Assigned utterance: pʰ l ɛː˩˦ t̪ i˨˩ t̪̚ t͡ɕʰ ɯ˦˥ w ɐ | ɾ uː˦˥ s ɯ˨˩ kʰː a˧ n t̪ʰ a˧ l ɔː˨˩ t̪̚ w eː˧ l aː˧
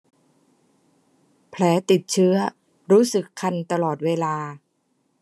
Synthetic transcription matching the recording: pʰ l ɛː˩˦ t̪ i˨˩ t̪̚ t͡ɕʰ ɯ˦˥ ɐ | ɾ uː˦˥ s ɯ˨˩ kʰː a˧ n t̪ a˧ l ɔː˨˩ t̪̚ w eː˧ l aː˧